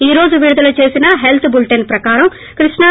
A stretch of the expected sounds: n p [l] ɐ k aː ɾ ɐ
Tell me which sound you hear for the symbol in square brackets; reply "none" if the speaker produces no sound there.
ɾ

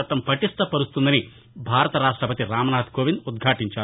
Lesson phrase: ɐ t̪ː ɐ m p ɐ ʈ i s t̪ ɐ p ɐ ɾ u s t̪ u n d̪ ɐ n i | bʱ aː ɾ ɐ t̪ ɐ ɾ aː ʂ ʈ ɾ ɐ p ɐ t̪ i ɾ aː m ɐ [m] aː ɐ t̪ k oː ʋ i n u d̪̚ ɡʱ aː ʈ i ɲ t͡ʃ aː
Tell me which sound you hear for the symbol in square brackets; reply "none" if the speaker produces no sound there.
n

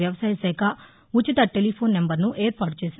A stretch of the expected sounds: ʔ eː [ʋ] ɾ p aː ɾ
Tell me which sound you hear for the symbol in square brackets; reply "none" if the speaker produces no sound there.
none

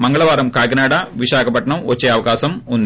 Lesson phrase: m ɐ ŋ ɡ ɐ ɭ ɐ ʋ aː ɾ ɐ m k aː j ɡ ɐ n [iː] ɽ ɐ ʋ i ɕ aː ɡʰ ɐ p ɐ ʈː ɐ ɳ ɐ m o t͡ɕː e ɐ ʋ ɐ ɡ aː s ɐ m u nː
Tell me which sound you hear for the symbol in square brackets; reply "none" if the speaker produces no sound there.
aː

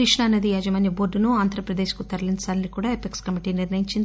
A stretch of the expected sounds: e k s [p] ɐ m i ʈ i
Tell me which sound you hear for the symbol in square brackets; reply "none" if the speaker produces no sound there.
k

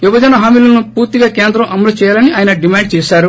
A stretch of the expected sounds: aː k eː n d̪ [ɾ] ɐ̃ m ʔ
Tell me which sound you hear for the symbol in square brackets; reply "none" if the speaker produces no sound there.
ɾ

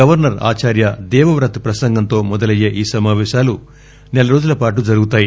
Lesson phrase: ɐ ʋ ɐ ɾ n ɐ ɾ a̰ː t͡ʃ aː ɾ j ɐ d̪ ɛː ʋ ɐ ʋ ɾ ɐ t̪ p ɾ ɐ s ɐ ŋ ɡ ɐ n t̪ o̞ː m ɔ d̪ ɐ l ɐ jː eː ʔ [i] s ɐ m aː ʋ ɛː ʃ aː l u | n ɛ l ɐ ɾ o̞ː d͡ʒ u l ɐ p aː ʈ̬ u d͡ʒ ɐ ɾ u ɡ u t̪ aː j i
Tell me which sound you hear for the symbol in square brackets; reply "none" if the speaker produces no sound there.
iː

